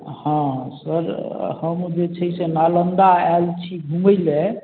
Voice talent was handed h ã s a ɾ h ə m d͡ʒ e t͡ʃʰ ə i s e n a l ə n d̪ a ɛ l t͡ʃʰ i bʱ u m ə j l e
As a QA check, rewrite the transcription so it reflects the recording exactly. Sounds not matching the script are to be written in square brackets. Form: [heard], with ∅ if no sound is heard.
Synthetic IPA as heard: h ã s [ə] ɾ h ə m d͡ʒ e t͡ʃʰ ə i s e n a l ə n d̪ a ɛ l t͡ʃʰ i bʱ u m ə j l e